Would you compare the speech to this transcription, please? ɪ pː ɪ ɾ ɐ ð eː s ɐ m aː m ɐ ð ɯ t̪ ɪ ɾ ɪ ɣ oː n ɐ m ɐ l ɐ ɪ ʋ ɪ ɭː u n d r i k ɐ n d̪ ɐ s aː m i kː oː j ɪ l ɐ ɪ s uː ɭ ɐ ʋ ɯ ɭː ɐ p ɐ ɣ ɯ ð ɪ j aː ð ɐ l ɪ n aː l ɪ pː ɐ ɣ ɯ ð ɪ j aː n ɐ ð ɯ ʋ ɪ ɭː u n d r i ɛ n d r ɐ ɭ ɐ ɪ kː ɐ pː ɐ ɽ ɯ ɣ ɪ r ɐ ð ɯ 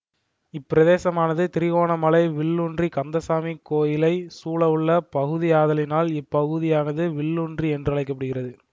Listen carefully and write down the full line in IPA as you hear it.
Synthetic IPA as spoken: ɪ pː ɪ ɾ ɐ ð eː s ɐ m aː n ɐ ð ɯ t̪ ɪ ɾ ɪ ɣ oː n ɐ m ɐ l ɐ ɪ ʋ ɪ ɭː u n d r i k ɐ n d̪ ɐ s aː m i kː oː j ɪ l ɐ ɪ s uː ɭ ɐ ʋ ɯ ɭː ɐ p ɐ ɣ ɯ ð ɪ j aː ð ɐ l ɪ n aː l ɪ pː ɐ ɣ ɯ ð ɪ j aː n ɐ ð ɯ ʋ ɪ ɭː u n d r i ɛ n d r ɐ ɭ ɐ ɪ kː ɐ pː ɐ ɽ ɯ ɣ ɪ r ɐ ð ɯ

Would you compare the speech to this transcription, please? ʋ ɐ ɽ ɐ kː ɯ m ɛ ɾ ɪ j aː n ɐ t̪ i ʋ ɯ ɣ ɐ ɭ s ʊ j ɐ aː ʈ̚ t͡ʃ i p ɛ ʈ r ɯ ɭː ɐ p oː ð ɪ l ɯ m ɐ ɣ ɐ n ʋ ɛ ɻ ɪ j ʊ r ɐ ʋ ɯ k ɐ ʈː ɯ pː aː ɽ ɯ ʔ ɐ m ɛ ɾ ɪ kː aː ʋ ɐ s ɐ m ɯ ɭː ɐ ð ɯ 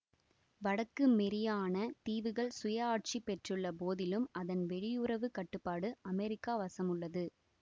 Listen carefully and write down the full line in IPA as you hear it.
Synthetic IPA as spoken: ʋ ɐ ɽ ɐ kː ɯ m ɛ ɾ ɪ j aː n ɐ t̪ iː ʋ ɯ ɣ ɐ ɭ s ʊ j ɐ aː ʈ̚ t͡ʃ i p ɛ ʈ r ɯ ɭː ɐ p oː ð ɪ l ɯ m ɐ ð ɐ n ʋ ɛ ɻ ɪ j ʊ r ɐ ʋ ɯ k ɐ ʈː ɯ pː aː ɽ ɯ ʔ ɐ m ɛ ɾ ɪ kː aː ʋ ɐ s ɐ m ɯ ɭː ɐ ð ɯ

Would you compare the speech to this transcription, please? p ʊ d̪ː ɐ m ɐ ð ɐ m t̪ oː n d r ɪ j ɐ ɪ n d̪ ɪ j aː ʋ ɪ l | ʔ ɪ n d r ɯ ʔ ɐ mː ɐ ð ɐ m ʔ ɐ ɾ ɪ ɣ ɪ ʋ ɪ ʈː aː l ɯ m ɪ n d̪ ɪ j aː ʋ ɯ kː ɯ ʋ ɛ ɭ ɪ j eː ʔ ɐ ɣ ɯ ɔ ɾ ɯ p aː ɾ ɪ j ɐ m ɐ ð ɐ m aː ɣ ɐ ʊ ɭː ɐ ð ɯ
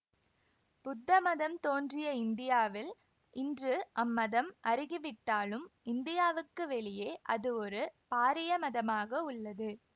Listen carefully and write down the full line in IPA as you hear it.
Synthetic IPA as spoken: p ʊ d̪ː ɐ m ɐ ð ɐ m t̪ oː n d r ɪ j ɐ ɪ n d̪ ɪ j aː ʋ ɪ l | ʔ ɪ n d r ɯ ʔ ɐ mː ɐ ð ɐ m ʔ ɐ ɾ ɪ ɣ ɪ ʋ ɪ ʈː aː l ɯ m ɪ n d̪ ɪ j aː ʋ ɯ kː ɯ ʋ ɛ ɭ ɪ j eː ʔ ɐ ð ɯ ɔ ɾ ɯ p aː ɾ ɪ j ɐ m ɐ ð ɐ m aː ɣ ɐ ʊ ɭː ɐ ð ɯ

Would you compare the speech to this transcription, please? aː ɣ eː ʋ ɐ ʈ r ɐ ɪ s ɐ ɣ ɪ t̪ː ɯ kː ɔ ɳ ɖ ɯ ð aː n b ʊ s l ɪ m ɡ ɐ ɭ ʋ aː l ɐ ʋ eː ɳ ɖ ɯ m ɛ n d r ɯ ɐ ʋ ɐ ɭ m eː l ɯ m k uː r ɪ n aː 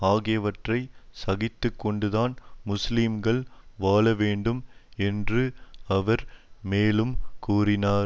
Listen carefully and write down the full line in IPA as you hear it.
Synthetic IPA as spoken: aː ɣ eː ʋ ɐ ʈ r ɐ ɪ s ɐ ɣ ɪ t̪ː ɯ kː ɔ ɳ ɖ ɯ ð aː n m ʊ s l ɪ m ɡ ɐ ɭ ʋ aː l ɐ ʋ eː ɳ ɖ ɯ m ɛ n d r ɯ ɐ ʋ ɐ ɾ m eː l ɯ m k uː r ɪ n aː

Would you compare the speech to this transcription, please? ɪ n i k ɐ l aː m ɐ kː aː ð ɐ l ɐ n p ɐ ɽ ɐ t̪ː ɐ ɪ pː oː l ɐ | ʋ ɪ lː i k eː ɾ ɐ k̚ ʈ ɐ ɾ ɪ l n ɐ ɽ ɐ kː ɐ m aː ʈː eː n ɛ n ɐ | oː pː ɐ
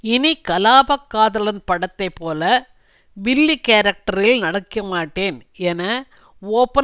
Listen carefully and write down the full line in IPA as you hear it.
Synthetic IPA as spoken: ɪ n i k ɐ l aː b ɐ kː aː ð ɐ l ɐ n p ɐ ɽ ɐ t̪ː ɐ ɪ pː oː l ɐ | ʋ ɪ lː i k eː ɾ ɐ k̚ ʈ ɐ ɾ ɪ l n ɐ ɽ ɐ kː ɐ m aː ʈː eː n ɛ n ɐ | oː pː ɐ

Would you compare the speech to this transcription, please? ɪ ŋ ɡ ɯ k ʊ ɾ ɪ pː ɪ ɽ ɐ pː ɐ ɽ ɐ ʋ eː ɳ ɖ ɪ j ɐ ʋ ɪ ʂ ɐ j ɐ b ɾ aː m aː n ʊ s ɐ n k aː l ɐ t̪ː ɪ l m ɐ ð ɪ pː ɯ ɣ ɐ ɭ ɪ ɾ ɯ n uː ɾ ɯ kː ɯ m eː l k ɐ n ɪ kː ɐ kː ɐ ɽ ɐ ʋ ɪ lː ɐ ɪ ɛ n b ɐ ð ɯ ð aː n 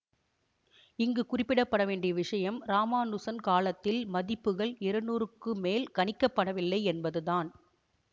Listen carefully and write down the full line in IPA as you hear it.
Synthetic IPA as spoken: ɪ ŋ ɡ ɯ k ʊ r ɪ pː ɪ ɽ ɐ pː ɐ ɽ ɐ ʋ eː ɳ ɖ ɪ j ɐ ʋ ɪ ʂ ɐ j ɐ m ɾ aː m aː n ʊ s ɐ n k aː l ɐ t̪ː ɪ l m ɐ ð ɪ pː ɯ ɣ ɐ ɭ ɪ ɾ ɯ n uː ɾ ɯ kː ɯ m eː l k ɐ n ɪ kː ɐ pː ɐ ɽ ɐ ʋ ɪ lː ɐ ɪ ɛ n b ɐ ð ɯ ð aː n

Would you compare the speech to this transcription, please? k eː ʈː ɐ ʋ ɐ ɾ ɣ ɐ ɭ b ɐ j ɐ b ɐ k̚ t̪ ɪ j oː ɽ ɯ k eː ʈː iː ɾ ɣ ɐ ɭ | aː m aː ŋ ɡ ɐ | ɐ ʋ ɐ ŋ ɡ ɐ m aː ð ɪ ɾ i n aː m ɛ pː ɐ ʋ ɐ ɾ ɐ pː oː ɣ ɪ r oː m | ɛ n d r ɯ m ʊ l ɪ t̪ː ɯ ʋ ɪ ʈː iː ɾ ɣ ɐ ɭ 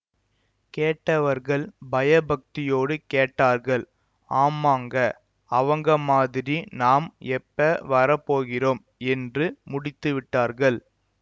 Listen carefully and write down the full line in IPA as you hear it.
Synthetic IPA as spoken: k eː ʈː ɐ ʋ ɐ ɾ ɣ ɐ ɭ b ɐ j ɐ b ɐ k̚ t̪ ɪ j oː ɽ ɯ k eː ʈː aː ɾ ɣ ɐ ɭ | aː m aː ŋ ɡ ɐ | ɐ ʋ ɐ ŋ ɡ ɐ m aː ð ɪ ɾ i n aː m ɛ pː ɐ ʋ ɐ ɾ ɐ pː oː ɣ ɪ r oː m | ɛ n d r ɯ m ʊ ɽ ɪ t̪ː ɯ ʋ ɪ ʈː aː ɾ ɣ ɐ ɭ

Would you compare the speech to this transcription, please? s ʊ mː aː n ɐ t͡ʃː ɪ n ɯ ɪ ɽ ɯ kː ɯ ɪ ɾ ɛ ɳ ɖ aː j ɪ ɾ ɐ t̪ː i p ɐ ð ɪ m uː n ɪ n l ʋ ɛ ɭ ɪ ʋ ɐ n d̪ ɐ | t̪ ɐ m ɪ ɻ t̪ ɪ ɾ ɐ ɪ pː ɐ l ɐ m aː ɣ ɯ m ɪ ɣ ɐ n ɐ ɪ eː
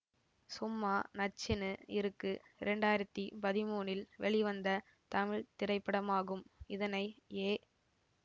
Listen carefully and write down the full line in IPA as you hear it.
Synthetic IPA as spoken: s ʊ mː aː n ɐ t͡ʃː ɪ n ɯ ɪ ɾ ɯ kː ɯ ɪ ɾ ɛ ɳ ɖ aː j ɪ ɾ ɐ t̪ː i p ɐ ð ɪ m uː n ɪ l ʋ ɛ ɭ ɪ ʋ ɐ n d̪ ɐ | t̪ ɐ m ɪ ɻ t̪ ɪ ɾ ɐ ɪ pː ɐ ɽ ɐ m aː ɣ ɯ m ɪ ð ɐ n ɐ ɪ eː

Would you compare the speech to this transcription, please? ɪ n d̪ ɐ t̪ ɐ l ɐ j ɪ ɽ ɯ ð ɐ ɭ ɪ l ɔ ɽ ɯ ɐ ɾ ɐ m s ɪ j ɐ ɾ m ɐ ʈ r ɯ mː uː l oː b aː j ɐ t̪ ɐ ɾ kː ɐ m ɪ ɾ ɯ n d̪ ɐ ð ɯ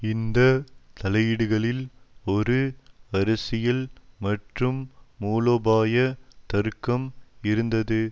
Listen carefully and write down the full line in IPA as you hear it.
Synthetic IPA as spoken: ɪ n d̪ ɐ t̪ ɐ l ɐ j ɪ ɽ ɯ ɣ ɐ ɭ ɪ l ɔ ɾ ɯ ɐ ɾ ɐ s ɪ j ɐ l m ɐ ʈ r ɯ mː uː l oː b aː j ɐ t̪ ɐ ɾ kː ɐ m ɪ ɾ ɯ n d̪ ɐ ð ɯ

